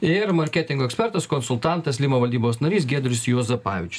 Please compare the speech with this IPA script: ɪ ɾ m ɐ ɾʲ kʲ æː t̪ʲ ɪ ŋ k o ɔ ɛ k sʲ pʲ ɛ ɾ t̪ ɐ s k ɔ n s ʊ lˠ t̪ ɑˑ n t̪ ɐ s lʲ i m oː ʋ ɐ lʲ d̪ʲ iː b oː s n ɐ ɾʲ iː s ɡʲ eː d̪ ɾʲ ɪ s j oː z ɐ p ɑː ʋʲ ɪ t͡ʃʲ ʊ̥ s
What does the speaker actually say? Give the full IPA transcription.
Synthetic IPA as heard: ɪ ɾ m ɐ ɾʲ kʲ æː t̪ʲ ɪ ŋ ɡ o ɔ ɛ k sʲ pʲ ɛ ɾ t̪ ɐ s k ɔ n s ʊ lˠ t̪ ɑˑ n t̪ ɐ s lʲ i m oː ʋ ɐ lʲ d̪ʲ iː b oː s n ɐ ɾʲ iː s ɡʲ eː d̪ ɾʲ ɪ s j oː z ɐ p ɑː ʋʲ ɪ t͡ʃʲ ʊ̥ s